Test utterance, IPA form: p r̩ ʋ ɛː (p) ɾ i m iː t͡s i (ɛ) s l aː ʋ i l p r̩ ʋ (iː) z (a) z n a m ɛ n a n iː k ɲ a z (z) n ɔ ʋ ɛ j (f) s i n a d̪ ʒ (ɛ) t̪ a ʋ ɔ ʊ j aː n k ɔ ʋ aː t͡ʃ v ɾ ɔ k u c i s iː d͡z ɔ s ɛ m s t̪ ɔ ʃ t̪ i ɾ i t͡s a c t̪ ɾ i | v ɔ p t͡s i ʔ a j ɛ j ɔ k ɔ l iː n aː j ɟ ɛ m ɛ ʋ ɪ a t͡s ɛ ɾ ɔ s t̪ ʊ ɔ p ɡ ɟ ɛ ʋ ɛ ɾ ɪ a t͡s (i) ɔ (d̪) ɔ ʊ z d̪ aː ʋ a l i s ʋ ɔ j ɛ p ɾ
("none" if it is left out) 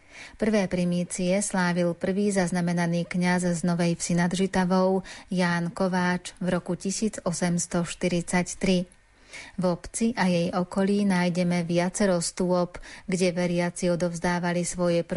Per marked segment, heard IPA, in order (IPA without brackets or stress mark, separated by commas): p, ɛ, iː, a, z, f, i, i, d̪